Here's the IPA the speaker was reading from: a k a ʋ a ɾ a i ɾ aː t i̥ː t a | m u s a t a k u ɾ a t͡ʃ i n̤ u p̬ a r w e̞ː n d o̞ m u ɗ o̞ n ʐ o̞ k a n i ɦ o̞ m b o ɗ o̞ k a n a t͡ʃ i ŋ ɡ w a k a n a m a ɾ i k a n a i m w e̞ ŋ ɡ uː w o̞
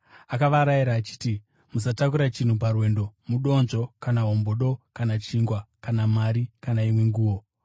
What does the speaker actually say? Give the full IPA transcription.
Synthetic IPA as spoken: a k a ʋ a ɾ a i ɾ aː t͡ʃ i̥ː t i | m u s a t a k u ɾ a t͡ʃ i n̤ u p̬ a r w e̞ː n d o̞ m u ɗ o̞ n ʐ o̞ k a n a ɦ o̞ m b o ɗ o̞ k a n a t͡ʃ i ŋ ɡ w a k a n a m a ɾ i k a n a i m w e̞ ŋ ɡ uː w o̞